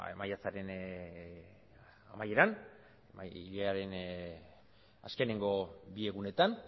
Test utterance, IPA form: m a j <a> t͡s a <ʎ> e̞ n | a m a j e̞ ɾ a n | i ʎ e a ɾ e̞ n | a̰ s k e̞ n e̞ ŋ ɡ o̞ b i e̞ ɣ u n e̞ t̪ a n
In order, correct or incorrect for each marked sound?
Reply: correct, incorrect

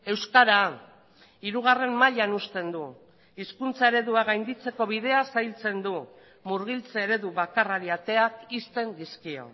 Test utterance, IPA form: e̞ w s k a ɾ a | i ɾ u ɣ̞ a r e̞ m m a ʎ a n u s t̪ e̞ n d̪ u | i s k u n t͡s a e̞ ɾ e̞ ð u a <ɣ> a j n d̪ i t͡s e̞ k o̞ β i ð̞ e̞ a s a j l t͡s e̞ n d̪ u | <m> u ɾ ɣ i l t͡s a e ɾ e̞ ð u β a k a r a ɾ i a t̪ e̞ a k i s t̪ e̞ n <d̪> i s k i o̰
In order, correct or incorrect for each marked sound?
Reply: correct, correct, correct

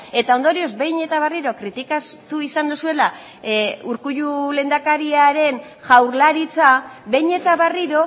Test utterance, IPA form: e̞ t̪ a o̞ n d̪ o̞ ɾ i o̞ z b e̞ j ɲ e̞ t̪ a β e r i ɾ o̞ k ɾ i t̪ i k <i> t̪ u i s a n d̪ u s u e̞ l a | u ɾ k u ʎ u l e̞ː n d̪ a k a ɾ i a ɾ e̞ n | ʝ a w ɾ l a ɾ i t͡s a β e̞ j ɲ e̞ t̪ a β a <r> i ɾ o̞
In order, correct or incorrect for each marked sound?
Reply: incorrect, correct

